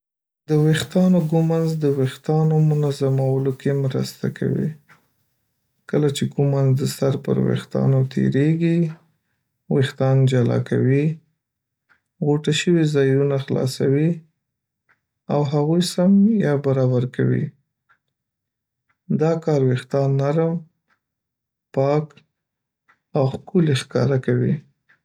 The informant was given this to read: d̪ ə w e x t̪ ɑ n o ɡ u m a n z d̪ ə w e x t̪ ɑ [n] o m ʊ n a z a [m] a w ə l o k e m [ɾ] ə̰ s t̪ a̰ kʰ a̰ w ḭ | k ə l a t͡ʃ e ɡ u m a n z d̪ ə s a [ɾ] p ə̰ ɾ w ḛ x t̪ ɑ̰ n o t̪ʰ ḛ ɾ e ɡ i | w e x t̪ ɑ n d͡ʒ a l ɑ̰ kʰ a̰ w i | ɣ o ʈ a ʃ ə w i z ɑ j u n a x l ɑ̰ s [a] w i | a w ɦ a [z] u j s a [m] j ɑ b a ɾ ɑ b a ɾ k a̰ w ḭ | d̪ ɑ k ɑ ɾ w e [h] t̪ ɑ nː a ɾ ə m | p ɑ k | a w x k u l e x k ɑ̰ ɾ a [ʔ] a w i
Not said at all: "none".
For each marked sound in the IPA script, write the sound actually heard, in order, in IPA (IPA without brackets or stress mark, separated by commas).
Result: n, m, ɾ, ɾ, a, ɣ, m, x, k